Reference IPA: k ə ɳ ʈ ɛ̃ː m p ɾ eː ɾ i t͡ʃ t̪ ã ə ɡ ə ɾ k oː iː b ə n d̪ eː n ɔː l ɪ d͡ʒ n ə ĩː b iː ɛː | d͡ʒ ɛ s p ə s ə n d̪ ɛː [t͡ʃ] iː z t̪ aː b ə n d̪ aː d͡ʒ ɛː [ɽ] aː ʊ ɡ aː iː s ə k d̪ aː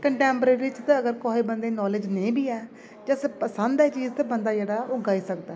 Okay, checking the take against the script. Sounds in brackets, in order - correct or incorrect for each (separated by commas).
correct, correct